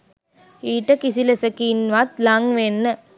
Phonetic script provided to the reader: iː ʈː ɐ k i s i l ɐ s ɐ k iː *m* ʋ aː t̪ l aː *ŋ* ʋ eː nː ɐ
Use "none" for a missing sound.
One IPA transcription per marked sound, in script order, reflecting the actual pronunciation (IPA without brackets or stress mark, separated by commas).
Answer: n, ŋ